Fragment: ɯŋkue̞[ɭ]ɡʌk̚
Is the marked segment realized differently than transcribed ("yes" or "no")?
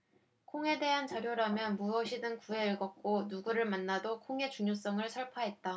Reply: no